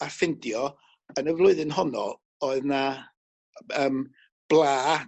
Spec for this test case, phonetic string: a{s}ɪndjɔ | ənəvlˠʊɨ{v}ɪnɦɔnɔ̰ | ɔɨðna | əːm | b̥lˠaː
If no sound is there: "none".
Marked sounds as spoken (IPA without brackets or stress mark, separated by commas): f, ð